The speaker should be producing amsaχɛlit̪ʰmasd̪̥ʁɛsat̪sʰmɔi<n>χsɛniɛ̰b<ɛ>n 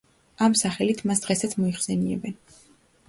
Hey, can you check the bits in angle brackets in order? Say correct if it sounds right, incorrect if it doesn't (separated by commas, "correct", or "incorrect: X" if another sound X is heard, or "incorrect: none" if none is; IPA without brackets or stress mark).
incorrect: none, correct